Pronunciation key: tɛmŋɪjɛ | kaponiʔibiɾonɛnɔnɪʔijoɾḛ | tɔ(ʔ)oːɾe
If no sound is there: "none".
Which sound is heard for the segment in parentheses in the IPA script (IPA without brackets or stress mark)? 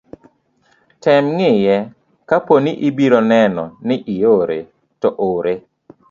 ʔ